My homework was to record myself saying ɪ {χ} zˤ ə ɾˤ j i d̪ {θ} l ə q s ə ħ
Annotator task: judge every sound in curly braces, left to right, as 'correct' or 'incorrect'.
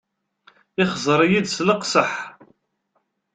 correct, incorrect

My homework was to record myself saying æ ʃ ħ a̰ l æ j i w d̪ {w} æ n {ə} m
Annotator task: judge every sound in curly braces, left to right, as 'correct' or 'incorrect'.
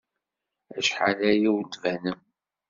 incorrect, correct

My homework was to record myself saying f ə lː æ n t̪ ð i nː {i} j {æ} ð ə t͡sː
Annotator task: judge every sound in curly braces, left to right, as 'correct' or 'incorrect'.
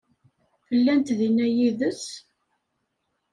incorrect, incorrect

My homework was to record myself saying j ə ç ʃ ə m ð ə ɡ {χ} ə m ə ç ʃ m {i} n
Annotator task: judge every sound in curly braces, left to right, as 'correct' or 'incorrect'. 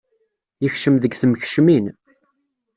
incorrect, correct

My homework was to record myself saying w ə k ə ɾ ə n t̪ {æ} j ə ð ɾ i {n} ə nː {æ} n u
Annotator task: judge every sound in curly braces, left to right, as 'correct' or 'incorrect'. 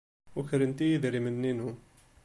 incorrect, incorrect, incorrect

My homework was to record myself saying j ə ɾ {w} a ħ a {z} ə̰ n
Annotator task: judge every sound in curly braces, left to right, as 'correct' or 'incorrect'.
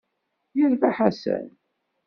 incorrect, incorrect

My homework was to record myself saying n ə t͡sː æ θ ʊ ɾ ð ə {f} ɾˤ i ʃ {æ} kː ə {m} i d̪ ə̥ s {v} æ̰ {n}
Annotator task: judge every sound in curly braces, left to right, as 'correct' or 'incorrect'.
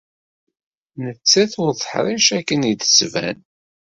incorrect, correct, incorrect, correct, correct

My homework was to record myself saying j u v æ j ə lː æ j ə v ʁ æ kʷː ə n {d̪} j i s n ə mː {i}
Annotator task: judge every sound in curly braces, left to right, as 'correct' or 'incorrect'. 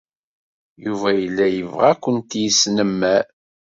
incorrect, incorrect

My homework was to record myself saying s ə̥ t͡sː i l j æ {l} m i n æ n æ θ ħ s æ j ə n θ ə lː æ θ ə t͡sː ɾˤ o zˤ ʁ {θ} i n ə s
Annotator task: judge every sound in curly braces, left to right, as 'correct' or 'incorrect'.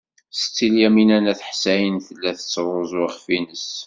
incorrect, incorrect

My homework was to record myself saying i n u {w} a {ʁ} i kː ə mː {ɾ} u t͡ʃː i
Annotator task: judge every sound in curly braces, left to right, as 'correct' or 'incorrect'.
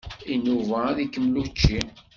incorrect, incorrect, incorrect

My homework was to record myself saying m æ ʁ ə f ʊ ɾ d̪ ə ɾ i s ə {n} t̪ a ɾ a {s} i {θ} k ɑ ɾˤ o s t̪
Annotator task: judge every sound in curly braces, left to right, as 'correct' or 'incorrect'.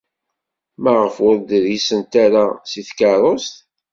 correct, correct, correct

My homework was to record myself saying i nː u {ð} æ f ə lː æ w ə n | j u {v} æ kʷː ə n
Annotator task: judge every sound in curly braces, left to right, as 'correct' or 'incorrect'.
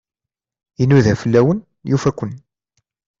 correct, incorrect

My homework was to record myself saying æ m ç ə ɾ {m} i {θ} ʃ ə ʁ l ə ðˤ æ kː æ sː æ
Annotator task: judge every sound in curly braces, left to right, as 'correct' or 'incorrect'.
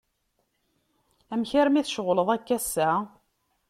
correct, correct

